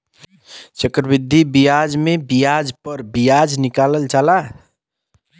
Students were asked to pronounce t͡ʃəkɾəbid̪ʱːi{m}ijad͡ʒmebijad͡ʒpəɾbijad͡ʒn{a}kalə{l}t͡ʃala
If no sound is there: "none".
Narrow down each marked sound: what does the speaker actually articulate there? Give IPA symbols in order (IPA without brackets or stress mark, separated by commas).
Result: b, i, l